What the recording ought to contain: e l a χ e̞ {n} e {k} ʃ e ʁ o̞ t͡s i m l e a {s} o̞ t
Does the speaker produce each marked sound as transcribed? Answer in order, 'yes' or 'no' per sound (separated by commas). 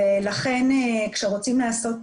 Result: yes, yes, yes